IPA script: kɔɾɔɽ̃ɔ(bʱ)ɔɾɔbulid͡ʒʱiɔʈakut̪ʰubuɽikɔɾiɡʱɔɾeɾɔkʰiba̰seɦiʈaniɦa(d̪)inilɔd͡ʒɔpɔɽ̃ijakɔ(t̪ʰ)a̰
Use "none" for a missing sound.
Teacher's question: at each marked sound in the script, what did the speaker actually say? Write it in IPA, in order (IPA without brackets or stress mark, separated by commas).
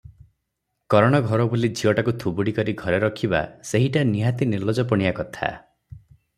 ɡʱ, t̪, t̪ʰ